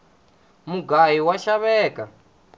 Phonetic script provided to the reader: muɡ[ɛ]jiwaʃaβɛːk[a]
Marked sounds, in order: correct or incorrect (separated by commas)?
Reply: incorrect, correct